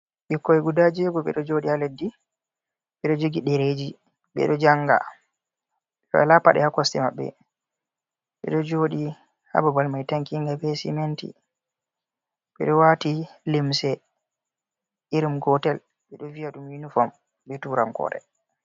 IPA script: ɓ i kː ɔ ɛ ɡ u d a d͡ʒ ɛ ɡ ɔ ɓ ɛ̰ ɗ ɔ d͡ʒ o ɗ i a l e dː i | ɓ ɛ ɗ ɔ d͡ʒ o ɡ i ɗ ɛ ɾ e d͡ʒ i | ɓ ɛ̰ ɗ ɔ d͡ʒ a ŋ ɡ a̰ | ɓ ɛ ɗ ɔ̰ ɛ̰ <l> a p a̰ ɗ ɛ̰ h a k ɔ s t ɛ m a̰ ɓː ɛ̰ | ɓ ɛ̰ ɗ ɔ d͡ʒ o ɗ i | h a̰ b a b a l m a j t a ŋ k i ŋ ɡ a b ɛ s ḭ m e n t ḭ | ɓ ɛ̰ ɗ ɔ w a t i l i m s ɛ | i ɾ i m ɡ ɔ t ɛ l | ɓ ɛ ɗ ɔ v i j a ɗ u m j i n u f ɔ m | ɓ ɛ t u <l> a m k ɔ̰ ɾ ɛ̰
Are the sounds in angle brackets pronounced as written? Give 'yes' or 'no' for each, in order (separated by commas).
yes, no